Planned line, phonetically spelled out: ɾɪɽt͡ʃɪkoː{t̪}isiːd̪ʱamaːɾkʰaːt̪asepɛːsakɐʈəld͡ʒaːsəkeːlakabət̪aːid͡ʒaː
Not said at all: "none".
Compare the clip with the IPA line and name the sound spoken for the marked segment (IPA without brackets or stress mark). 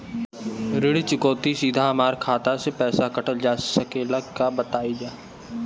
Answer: t̪